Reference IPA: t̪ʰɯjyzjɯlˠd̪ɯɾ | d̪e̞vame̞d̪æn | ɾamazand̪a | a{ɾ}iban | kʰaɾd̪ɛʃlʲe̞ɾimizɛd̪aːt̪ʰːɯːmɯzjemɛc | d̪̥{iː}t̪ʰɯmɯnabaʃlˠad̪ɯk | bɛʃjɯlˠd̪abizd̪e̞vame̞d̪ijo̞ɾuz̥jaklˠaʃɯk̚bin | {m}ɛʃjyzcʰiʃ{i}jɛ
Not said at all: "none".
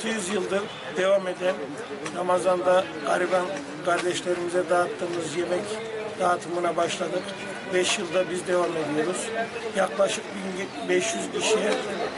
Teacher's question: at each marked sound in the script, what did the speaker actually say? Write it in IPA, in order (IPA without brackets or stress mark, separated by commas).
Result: ɾ, aː, b, i